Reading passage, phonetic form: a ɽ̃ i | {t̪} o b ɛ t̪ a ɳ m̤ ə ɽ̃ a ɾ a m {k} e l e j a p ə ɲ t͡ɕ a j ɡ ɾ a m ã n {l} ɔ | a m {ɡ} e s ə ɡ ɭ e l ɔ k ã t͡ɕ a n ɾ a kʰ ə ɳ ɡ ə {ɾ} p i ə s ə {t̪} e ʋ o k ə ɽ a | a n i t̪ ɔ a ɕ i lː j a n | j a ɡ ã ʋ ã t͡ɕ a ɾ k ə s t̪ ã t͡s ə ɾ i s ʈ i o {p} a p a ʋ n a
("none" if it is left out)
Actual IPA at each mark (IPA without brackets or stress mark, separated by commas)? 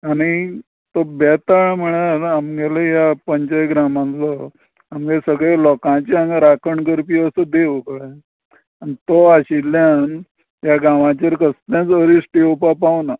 t̪, ɡ, l, ɡ, ɾ, d̪, p